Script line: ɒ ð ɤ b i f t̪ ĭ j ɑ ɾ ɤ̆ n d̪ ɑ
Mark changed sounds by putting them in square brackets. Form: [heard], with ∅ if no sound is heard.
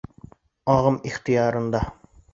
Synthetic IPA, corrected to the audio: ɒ [ʁ] ɤ [m] i [χ] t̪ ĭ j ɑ ɾ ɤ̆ n d̪ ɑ